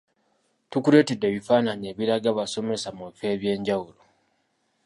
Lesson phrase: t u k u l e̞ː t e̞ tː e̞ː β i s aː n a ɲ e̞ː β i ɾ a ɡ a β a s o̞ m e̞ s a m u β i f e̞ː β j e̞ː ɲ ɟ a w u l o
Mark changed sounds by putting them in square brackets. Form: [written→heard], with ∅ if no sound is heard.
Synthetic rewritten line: t u k u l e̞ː t e̞ [tː→dː] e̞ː β i [s→f] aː n a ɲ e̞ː β i ɾ a ɡ a β a s o̞ m e̞ s a m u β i f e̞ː β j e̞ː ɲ ɟ a w u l o